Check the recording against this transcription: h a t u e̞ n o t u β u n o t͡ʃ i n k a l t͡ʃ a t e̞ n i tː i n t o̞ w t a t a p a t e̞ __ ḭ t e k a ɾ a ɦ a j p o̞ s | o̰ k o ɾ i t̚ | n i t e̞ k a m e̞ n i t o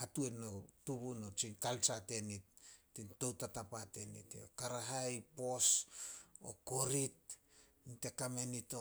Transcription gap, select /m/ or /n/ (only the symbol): n